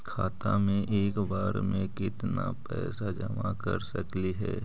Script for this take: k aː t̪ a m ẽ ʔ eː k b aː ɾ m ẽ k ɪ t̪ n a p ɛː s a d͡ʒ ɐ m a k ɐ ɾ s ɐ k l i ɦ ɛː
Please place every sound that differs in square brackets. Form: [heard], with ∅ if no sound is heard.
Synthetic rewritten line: [kʰ] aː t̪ a m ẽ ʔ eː k b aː ɾ m ẽ k ɪ t̪ n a p ɛː s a d͡ʒ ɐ m a k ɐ ɾ s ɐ k l i ɦ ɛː